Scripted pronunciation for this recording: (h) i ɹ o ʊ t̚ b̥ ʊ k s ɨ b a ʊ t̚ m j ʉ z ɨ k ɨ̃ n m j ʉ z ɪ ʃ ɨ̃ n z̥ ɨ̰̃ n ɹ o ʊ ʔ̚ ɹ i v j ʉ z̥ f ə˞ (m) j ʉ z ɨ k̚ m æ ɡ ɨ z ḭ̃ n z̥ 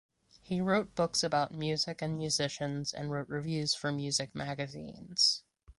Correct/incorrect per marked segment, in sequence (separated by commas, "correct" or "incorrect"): correct, correct